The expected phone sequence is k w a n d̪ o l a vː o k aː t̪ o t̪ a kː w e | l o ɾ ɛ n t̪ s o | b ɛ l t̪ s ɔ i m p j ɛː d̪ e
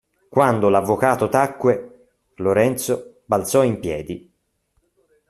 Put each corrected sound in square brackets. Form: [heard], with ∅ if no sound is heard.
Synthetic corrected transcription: k w a n d̪ o l a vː o k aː t̪ o t̪ a kː w e | l o ɾ ɛ n t̪ s o | b [a] l t̪ s ɔ i m p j ɛː d̪ [i]